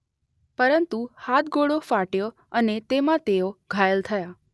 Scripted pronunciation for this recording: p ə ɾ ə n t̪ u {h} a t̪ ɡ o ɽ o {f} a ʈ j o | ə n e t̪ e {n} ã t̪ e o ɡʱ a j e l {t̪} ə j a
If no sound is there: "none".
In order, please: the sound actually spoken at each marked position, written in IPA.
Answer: h, f, m, t̪ʰ

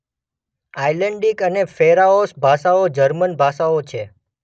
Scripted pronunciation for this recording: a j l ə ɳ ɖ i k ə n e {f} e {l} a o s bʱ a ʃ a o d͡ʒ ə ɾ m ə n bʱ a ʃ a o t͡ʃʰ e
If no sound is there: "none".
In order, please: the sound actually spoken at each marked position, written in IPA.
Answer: f, ɾ

